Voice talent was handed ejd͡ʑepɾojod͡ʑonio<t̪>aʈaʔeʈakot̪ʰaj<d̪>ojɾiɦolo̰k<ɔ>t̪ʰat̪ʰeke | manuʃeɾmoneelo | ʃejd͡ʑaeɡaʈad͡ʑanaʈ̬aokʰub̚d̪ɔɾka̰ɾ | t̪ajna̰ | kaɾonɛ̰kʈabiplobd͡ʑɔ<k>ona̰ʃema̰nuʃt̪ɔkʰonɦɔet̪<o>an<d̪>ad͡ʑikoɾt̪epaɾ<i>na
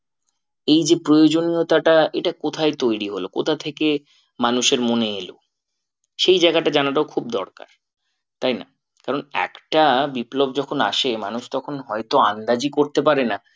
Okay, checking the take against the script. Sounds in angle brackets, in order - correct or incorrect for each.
correct, incorrect, incorrect, incorrect, correct, correct, incorrect

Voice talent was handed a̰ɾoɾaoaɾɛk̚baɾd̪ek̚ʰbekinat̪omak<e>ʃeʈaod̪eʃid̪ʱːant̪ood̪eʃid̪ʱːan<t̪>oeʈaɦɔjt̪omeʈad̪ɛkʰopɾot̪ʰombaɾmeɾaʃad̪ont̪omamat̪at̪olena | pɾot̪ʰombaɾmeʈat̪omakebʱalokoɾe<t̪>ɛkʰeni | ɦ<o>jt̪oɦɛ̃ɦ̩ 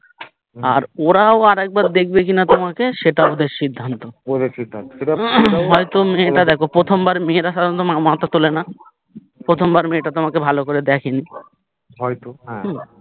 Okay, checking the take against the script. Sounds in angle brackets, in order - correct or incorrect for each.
correct, correct, incorrect, incorrect

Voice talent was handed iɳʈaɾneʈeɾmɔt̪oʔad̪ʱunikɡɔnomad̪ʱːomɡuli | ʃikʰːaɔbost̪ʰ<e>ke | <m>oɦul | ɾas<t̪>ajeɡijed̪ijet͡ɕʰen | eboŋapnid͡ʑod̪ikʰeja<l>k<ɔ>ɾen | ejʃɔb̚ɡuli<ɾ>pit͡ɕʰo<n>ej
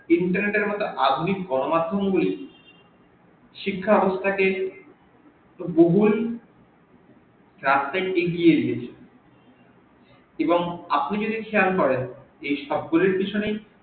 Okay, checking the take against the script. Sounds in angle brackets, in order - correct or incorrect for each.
incorrect, incorrect, correct, correct, correct, correct, correct

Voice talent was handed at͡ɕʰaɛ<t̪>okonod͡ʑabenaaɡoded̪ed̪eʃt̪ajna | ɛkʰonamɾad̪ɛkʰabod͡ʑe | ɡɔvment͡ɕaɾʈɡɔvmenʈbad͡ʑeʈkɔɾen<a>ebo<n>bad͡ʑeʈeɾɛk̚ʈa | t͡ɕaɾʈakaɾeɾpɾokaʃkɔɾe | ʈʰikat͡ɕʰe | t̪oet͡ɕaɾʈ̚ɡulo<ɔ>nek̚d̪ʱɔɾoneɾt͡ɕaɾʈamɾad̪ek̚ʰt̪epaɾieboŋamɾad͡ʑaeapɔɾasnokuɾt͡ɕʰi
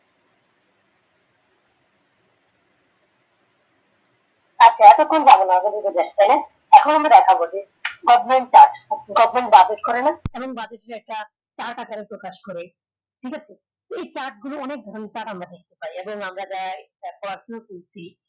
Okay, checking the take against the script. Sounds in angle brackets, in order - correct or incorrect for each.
correct, correct, incorrect, correct

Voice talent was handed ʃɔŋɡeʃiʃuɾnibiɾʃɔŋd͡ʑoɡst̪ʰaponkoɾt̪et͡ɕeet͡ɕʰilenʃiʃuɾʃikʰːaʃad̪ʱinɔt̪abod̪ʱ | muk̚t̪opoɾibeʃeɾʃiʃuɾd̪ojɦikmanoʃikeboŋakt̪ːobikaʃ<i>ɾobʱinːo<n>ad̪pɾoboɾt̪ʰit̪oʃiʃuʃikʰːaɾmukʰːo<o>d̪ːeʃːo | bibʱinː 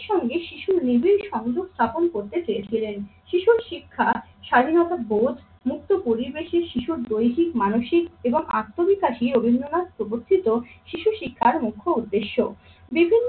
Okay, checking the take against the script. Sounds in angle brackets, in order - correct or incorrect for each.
correct, correct, incorrect

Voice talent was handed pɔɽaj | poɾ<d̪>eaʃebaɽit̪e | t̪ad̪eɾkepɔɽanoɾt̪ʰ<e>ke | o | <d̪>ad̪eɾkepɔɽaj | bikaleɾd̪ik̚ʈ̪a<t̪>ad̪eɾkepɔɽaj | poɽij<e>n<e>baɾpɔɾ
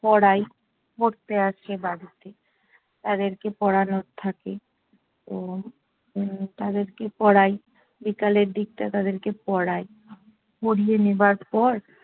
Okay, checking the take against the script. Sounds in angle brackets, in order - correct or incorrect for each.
incorrect, incorrect, incorrect, correct, correct, correct

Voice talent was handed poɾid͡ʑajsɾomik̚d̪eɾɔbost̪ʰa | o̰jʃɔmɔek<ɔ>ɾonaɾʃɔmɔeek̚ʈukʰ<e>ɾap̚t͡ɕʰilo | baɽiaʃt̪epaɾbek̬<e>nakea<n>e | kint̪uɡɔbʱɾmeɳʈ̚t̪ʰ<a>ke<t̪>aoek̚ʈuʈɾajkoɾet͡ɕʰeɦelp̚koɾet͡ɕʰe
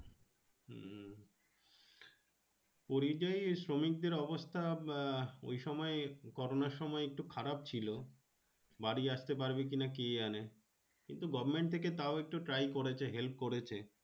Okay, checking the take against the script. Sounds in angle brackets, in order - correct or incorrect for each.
correct, incorrect, incorrect, correct, incorrect, correct

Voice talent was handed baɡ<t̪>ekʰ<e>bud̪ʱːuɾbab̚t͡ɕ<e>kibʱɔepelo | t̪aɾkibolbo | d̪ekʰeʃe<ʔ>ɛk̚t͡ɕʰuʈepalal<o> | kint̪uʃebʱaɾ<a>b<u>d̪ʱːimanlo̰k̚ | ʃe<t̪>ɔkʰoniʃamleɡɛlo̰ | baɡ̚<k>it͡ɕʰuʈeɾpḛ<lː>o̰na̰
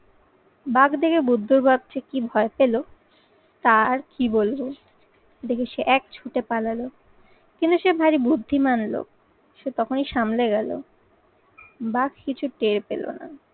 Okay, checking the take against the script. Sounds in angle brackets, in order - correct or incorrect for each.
incorrect, correct, correct, correct, correct, incorrect, correct, correct, correct, incorrect

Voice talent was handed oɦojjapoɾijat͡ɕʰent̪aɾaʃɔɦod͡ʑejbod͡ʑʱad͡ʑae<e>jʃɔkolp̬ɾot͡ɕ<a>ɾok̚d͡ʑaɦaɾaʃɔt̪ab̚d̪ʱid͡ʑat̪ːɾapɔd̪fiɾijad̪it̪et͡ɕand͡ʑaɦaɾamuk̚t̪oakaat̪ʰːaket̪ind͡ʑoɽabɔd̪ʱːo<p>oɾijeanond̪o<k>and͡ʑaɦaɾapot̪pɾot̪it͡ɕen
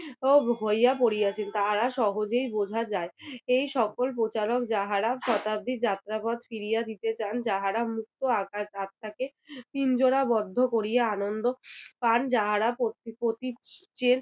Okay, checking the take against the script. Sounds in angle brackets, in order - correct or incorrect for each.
correct, correct, incorrect, incorrect

